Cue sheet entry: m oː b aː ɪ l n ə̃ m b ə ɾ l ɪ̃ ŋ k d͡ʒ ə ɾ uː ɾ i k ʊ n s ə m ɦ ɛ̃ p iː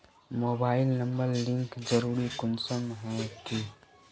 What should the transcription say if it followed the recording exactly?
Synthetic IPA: m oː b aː ɪ l n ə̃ m b ə ɾ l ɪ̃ ŋ k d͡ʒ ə ɾ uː ɾ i k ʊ n s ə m ɦ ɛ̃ k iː